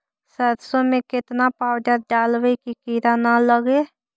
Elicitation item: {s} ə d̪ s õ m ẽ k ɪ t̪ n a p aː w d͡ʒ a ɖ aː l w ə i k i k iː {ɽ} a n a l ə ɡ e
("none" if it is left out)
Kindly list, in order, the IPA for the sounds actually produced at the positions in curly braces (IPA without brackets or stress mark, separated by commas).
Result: s, ɾ